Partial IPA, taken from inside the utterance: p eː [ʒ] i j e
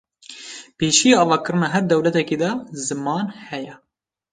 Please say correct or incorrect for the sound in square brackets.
incorrect